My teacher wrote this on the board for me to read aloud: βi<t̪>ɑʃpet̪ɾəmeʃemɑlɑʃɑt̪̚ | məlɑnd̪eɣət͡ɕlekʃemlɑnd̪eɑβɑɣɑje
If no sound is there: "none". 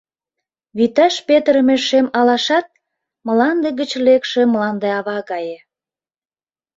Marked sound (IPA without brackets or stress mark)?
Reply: t̪